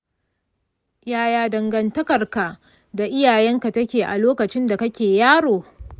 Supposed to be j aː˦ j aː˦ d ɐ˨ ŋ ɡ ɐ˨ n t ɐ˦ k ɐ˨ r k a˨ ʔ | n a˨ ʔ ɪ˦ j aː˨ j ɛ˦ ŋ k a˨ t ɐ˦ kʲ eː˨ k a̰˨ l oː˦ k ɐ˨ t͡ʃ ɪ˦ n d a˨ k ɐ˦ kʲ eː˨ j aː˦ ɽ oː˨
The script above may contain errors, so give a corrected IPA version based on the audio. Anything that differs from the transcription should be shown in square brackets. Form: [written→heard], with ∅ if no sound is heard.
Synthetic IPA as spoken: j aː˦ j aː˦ d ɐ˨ ŋ ɡ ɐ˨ n t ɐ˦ k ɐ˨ r k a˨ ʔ | [n→d] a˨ ʔ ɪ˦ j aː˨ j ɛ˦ ŋ k a˨ t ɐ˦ kʲ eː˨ [k→ʔ] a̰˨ l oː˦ k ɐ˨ t͡ʃ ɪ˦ n d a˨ k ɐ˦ kʲ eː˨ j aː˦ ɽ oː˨